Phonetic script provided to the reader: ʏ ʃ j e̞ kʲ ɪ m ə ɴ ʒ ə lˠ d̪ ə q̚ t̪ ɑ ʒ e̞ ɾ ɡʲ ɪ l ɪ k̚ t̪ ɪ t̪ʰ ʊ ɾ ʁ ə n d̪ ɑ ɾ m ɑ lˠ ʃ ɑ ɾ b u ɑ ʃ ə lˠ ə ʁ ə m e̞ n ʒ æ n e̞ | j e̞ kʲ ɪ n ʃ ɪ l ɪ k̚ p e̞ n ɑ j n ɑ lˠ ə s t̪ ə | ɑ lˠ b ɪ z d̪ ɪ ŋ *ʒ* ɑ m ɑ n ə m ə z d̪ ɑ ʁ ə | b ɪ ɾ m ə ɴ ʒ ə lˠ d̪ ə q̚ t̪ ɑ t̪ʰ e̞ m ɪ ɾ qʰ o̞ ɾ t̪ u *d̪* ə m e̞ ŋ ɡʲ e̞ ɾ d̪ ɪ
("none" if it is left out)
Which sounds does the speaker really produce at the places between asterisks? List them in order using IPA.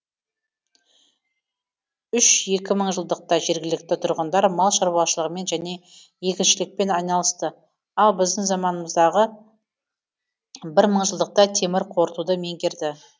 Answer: z, d̪

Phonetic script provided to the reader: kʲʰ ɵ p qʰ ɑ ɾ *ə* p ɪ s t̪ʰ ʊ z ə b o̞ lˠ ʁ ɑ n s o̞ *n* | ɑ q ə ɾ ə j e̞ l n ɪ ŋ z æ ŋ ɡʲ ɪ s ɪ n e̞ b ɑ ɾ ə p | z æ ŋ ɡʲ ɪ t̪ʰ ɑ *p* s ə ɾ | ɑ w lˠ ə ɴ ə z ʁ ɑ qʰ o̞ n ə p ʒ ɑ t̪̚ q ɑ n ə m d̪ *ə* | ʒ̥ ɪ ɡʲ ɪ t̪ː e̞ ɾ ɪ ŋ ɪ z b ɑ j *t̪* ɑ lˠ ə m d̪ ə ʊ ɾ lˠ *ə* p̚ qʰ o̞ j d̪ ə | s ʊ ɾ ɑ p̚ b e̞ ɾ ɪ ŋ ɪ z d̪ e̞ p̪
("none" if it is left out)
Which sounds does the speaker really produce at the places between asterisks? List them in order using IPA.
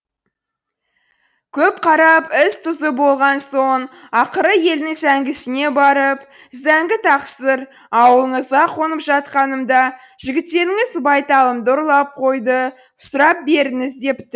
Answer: ɑ, ɴ, q, ɑ, t̪, ɑ

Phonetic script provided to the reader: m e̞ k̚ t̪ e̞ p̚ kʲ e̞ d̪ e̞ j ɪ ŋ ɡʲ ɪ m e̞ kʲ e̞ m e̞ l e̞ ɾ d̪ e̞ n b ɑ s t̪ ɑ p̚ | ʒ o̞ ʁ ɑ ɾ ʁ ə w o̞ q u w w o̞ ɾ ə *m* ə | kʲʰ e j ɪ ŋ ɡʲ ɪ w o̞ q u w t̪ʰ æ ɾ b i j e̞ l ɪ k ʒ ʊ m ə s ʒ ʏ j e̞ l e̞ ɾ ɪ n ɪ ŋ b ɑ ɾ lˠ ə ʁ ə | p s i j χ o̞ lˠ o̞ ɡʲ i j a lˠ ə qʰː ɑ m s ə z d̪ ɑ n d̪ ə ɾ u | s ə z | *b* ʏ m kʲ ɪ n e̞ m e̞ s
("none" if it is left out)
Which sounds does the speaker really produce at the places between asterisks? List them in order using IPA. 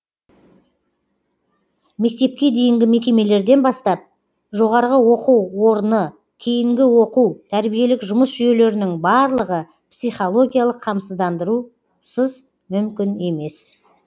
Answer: n, m

